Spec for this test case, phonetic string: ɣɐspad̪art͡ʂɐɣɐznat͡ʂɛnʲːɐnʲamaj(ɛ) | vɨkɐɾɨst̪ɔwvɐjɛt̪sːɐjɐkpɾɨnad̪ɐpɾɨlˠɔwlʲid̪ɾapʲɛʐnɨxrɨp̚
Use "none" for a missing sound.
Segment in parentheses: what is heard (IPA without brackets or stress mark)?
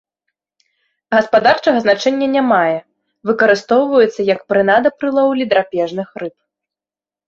ɛ